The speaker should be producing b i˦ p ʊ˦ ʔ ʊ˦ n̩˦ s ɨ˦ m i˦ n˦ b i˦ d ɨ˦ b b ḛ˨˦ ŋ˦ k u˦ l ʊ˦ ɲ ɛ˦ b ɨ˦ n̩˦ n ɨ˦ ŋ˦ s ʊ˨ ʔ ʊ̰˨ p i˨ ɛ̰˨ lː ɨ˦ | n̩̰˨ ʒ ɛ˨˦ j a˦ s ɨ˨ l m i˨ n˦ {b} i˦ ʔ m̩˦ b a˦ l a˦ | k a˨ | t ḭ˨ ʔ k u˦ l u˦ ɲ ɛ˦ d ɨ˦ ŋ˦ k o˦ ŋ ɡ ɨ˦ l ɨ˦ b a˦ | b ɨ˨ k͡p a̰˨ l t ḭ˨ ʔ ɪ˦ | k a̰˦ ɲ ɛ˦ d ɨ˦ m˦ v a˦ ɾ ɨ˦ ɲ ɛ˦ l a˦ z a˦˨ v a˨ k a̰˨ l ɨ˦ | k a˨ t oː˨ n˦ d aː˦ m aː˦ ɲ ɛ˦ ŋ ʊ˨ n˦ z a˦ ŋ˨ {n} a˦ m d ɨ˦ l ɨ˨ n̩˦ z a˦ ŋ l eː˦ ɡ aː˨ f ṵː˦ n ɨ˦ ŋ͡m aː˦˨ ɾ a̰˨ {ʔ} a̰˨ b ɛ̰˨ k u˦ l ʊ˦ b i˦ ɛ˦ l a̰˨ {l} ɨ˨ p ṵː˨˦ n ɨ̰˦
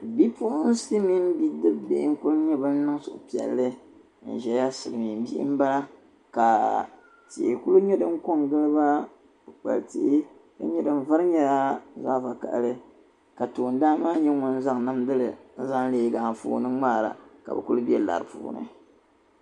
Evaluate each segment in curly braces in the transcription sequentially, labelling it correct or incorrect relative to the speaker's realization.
correct, correct, incorrect: k, incorrect: ɾ

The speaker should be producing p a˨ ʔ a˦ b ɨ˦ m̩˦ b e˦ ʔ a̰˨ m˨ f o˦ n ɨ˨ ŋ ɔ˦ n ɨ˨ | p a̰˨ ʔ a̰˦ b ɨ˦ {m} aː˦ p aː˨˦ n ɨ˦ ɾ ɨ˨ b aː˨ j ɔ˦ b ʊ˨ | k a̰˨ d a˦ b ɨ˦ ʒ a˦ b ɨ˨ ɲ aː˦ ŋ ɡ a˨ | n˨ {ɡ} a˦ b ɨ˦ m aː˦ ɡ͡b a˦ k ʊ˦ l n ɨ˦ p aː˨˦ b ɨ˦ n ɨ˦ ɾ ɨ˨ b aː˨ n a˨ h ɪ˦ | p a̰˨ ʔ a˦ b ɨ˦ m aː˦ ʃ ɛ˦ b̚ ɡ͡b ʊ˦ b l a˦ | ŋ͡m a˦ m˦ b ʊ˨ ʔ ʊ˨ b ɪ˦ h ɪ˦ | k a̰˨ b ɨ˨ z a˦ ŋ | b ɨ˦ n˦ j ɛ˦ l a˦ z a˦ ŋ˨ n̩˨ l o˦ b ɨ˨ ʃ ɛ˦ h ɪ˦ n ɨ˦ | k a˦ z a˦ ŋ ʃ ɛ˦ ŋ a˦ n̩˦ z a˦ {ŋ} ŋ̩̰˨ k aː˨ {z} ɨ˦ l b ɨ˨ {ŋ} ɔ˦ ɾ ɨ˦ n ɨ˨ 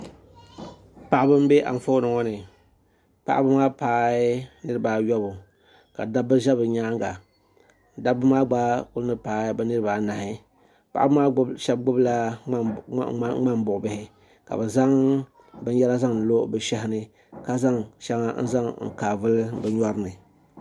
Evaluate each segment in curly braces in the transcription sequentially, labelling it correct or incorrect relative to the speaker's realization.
correct, incorrect: d, correct, incorrect: v, incorrect: ɲ

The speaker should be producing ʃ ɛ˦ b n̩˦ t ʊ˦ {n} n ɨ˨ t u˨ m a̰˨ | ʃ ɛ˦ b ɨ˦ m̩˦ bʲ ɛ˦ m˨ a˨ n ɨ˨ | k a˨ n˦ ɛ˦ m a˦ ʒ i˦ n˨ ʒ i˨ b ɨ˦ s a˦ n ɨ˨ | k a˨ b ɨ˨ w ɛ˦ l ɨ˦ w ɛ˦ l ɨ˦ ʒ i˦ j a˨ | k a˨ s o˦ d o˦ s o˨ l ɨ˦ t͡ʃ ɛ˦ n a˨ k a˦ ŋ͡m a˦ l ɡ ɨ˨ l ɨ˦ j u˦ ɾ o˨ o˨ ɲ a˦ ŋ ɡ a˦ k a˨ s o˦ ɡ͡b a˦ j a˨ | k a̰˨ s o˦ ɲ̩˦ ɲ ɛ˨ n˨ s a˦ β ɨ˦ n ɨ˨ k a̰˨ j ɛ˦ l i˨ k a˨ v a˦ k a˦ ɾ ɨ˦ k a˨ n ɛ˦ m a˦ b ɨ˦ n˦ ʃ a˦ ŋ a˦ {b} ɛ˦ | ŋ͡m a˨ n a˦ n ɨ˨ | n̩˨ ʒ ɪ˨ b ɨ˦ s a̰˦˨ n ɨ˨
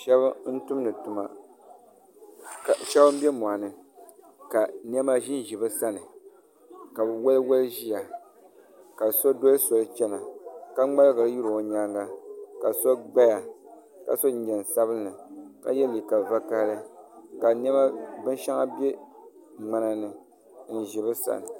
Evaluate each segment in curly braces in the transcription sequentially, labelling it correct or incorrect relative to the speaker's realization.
incorrect: m, correct

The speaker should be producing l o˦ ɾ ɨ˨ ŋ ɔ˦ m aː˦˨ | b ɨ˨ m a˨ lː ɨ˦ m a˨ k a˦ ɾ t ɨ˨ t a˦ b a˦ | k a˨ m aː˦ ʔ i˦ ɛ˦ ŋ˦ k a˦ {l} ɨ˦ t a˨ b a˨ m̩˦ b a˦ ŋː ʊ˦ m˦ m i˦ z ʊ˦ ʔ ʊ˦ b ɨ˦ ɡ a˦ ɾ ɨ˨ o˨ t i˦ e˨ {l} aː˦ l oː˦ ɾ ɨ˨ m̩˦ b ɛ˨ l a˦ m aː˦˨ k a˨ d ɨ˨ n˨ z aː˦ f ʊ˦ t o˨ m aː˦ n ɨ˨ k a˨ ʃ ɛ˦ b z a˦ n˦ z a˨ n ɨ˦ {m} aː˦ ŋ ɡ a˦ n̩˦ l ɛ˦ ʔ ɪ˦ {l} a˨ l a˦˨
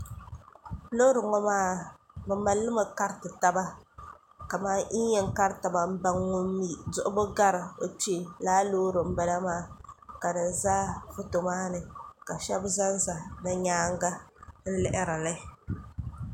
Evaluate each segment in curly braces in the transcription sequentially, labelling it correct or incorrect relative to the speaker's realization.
incorrect: ɾ, correct, incorrect: ɲ, incorrect: ɾ

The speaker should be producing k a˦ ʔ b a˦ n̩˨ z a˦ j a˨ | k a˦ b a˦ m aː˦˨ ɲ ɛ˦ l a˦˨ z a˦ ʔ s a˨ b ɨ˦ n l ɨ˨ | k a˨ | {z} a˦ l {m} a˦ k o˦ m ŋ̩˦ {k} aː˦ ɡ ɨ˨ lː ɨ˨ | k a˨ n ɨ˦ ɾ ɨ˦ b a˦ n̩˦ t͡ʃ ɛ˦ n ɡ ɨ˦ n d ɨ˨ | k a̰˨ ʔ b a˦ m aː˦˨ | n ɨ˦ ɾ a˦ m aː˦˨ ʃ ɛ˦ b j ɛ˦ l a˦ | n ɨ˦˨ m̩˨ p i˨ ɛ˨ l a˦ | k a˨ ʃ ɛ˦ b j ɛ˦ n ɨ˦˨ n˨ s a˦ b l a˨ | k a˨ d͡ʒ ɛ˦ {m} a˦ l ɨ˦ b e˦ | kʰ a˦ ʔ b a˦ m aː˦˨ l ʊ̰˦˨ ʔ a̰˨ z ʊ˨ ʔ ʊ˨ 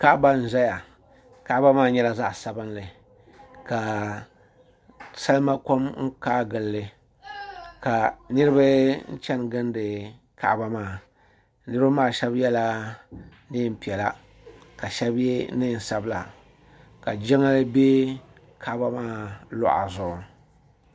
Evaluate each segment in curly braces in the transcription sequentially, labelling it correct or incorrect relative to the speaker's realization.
incorrect: s, correct, correct, incorrect: ŋ

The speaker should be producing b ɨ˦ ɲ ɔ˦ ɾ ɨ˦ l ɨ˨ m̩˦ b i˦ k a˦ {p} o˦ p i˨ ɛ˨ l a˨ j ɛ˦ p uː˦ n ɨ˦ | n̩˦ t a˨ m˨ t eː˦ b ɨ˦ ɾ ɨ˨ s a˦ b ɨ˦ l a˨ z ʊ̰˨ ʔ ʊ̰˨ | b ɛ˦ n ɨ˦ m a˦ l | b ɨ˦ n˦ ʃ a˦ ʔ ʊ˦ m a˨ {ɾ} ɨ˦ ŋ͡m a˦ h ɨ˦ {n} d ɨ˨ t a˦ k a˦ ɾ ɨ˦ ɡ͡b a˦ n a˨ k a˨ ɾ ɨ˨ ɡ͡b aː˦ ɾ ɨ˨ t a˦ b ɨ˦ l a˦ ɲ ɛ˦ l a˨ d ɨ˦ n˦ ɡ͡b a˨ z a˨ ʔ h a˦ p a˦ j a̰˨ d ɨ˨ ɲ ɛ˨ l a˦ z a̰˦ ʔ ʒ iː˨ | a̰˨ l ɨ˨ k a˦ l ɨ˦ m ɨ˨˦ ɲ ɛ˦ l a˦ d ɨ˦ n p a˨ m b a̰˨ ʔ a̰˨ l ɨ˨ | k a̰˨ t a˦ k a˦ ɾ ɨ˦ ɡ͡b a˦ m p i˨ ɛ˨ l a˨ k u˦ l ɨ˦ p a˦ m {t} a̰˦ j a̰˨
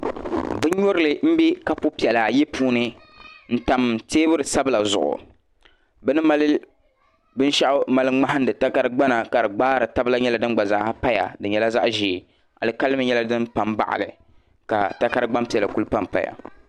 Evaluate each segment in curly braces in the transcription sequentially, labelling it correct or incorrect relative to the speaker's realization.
correct, incorrect: l, correct, incorrect: p

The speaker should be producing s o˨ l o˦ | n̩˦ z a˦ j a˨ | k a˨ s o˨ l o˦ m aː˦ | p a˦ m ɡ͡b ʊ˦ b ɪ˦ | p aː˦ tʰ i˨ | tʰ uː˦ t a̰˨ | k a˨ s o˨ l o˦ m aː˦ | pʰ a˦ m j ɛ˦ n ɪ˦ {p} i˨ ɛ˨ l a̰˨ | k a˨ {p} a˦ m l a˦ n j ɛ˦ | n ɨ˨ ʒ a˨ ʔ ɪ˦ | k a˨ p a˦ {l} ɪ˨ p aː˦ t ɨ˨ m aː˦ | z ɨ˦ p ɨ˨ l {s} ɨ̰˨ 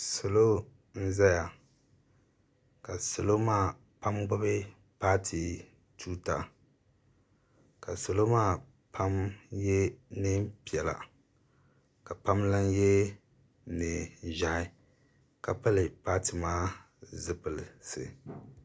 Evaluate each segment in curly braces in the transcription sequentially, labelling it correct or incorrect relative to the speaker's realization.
correct, correct, correct, correct

